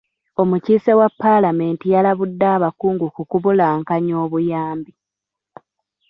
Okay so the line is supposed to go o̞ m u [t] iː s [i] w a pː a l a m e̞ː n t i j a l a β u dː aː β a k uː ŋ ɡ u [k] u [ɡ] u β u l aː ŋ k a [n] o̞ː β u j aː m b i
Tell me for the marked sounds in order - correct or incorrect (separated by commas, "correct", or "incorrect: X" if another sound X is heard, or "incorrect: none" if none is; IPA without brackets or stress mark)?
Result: incorrect: c, incorrect: e, correct, incorrect: k, incorrect: ɲ